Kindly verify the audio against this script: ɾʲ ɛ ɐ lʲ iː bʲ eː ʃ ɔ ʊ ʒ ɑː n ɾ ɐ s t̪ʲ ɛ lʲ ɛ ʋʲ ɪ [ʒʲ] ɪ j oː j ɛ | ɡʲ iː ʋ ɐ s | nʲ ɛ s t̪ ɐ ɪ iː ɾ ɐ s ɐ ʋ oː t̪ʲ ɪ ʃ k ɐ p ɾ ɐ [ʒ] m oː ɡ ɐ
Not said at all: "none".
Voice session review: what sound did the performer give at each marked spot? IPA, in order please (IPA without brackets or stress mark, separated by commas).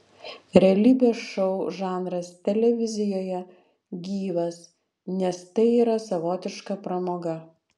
zʲ, none